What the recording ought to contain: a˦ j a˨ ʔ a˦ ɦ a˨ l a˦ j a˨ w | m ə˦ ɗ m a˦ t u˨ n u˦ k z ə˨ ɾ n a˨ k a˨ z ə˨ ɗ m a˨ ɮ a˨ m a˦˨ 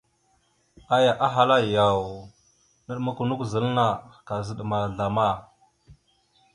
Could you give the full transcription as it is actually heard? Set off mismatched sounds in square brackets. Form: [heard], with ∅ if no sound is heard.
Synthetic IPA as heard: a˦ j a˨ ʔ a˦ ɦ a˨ l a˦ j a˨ w | [n] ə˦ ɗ m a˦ [k] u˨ n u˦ k z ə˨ [l] n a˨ k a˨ z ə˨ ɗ m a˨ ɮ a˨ m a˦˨